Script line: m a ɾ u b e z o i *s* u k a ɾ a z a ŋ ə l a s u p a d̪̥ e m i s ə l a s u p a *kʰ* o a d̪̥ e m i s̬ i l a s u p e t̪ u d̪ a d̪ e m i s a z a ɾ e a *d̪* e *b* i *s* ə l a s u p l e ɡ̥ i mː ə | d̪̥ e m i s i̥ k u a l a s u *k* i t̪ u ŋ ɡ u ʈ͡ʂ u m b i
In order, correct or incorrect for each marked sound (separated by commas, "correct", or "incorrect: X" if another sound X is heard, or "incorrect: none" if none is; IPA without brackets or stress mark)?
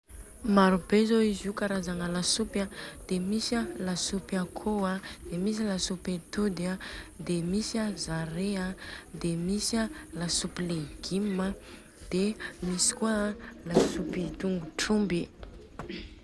incorrect: z, correct, correct, incorrect: m, correct, incorrect: p